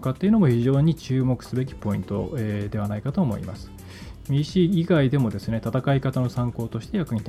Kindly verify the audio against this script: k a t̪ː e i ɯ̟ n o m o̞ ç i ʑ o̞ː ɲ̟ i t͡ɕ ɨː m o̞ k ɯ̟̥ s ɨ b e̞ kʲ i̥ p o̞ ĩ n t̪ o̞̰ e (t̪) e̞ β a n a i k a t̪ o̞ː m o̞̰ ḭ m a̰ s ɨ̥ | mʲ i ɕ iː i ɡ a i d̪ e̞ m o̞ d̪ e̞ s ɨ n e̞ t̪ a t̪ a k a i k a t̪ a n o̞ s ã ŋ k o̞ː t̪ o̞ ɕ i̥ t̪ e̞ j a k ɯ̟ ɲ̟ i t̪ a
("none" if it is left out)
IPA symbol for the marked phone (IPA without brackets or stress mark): d̪